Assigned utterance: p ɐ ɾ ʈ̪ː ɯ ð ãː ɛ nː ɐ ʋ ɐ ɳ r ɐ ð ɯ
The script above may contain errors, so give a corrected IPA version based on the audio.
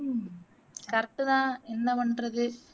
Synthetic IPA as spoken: k ɐ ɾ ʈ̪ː ɯ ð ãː ɛ nː ɐ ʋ ɐ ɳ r ɐ ð ɯ

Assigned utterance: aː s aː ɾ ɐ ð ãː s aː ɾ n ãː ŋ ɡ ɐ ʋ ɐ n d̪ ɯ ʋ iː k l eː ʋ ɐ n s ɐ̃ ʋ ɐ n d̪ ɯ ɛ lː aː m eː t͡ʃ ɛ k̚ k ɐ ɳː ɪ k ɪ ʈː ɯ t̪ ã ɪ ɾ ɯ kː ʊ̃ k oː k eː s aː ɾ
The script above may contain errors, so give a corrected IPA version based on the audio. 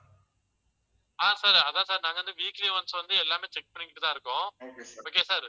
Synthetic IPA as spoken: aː s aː ɾ ɐ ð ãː s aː ɾ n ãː ŋ ɡ ɐ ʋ ɐ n d̪ ɯ ʋ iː k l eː ʋ ɐ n s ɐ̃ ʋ ɐ n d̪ ɯ ɛ lː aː m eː t͡ʃ ɛ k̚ p ɐ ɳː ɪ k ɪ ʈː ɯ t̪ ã ɪ ɾ ɯ kː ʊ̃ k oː k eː s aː ɾ

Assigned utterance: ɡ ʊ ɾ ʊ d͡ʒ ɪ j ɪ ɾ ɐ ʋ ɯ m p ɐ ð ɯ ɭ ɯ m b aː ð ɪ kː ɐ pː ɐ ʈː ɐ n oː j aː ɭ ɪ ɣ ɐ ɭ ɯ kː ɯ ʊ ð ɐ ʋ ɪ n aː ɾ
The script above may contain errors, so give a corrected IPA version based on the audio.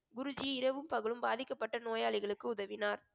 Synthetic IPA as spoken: ɡ ʊ ɾ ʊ d͡ʒ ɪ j ɪ ɾ ɐ ʋ ɯ m p ɐ ɣ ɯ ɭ ɯ m b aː ð ɪ kː ɐ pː ɐ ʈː ɐ n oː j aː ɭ ɪ ɣ ɐ ɭ ɯ kː ɯ ʊ ð ɐ ʋ ɪ n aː ɾ

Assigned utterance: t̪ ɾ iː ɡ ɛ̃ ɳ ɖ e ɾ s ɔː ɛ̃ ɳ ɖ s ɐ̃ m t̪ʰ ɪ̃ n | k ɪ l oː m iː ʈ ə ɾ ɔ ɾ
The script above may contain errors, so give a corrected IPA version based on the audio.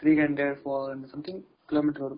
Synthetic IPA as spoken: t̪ ɾ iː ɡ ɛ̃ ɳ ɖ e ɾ f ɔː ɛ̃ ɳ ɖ s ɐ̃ m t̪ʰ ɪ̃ ŋ | k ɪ l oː m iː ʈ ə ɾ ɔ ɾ

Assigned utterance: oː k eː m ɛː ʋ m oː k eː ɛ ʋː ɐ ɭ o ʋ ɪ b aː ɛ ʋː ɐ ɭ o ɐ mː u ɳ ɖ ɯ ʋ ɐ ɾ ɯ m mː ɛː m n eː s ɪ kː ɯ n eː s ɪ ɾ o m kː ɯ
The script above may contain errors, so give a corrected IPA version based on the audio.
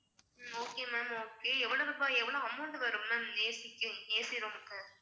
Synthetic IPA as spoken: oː k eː m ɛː m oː k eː ɛ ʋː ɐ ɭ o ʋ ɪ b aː ɛ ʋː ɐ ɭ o ɐ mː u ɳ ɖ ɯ ʋ ɐ ɾ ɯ m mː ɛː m n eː s ɪ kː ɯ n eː s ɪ ɾ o m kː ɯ

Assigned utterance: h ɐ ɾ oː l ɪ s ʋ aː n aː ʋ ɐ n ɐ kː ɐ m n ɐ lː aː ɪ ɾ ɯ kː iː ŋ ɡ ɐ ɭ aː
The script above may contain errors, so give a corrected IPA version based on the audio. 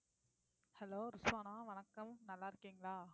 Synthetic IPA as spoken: h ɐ l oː ɾ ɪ s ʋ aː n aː ʋ ɐ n ɐ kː ɐ m n ɐ lː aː ɪ ɾ ɯ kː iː ŋ ɡ ɐ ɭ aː

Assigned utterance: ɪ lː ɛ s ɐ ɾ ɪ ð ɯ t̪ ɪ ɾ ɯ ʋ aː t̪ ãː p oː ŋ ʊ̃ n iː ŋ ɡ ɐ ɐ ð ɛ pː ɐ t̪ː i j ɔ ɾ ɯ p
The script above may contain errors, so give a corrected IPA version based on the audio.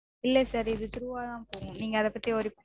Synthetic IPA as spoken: ɪ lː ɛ s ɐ ɾ ɪ ð ɯ t̪ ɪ ɾ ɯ ʋ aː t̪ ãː p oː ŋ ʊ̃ n iː ŋ ɡ ɐ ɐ ð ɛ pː ɐ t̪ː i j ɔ ɾ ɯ p

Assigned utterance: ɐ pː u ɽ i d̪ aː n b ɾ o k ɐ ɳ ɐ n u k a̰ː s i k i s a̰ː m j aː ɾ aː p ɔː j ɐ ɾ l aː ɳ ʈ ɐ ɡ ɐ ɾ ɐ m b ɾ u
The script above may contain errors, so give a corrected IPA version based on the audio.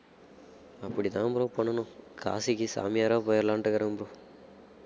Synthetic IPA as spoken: ɐ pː u ɽ i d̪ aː m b ɾ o p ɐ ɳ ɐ n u k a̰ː s i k i s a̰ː m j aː ɾ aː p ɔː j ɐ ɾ l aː ɳ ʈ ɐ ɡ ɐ ɾ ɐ m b ɾ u

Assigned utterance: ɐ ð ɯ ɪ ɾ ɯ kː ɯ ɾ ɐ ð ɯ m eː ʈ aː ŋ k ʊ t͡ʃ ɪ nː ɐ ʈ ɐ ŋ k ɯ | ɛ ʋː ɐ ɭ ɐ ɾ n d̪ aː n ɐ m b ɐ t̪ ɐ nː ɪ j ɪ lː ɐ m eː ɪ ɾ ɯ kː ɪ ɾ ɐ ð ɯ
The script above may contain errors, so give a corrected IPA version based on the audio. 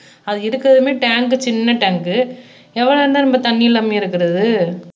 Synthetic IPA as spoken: ɐ ð ɯ ɪ ɾ ɯ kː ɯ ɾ ɐ ð ɯ m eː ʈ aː ŋ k ɯ t͡ʃ ɪ nː ɐ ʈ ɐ ŋ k ɯ | ɛ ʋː ɐ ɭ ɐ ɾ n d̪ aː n ɐ m b ɐ t̪ ɐ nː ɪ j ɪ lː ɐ m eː ɪ ɾ ɯ kː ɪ ɾ ɐ ð ɯ

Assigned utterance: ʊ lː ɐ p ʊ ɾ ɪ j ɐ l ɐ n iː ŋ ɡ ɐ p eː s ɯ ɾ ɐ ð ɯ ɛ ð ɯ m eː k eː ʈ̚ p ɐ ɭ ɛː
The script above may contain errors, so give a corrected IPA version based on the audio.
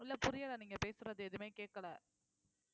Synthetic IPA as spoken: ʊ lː ɐ p ʊ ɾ ɪ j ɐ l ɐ n iː ŋ ɡ ɐ p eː s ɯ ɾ ɐ ð ɯ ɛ ð ɯ m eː k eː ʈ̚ k ɐ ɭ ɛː

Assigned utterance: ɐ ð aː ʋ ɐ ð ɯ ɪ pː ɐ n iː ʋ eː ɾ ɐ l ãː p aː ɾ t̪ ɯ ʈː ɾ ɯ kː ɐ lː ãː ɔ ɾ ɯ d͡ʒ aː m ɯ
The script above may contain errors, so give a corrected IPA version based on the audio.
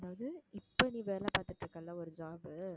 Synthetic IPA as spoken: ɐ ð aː ʋ ɐ ð ɯ ɪ pː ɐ n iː ʋ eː ɾ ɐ l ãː p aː ɾ t̪ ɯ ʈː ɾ ɯ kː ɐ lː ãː ɔ ɾ ɯ d͡ʒ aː b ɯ

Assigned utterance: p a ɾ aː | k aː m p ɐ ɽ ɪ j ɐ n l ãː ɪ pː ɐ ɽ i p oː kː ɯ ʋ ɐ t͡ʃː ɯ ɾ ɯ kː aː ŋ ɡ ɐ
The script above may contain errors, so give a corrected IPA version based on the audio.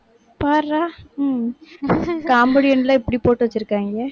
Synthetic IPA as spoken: p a ɾ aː | k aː m b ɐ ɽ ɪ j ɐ n l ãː ɪ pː ɐ ɽ i p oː ʈː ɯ ʋ ɐ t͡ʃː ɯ ɾ ɯ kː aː ŋ ɡ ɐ

